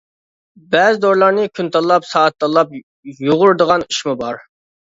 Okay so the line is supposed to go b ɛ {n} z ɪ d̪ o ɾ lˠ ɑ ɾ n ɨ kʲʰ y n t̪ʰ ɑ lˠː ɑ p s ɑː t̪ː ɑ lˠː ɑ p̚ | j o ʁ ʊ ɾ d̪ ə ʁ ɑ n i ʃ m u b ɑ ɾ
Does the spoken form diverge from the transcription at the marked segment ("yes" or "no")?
yes